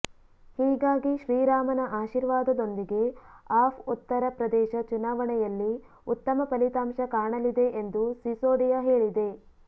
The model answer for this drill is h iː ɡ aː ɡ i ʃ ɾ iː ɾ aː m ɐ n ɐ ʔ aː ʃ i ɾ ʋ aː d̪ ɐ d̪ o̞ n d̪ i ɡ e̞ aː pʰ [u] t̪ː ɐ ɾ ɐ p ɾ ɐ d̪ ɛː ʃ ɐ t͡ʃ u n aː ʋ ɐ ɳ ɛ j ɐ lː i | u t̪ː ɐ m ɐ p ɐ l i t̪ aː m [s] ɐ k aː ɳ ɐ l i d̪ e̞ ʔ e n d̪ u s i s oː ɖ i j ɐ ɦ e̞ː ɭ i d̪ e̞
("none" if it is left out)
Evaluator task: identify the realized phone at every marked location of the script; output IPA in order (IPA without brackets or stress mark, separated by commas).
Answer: u, ʃ